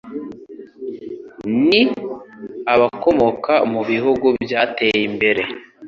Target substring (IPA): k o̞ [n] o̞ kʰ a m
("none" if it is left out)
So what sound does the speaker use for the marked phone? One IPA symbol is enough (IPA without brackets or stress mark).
m